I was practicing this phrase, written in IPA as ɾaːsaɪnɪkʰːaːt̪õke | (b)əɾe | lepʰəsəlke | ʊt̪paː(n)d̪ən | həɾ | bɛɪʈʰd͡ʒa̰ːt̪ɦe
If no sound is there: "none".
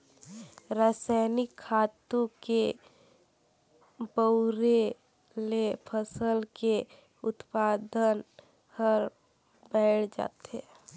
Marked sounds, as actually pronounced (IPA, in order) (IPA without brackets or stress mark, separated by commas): b, none